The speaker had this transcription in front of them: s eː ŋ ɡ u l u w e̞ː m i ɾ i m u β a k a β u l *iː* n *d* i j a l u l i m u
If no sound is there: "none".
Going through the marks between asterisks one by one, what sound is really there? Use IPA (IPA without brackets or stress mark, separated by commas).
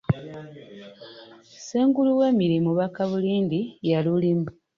iː, d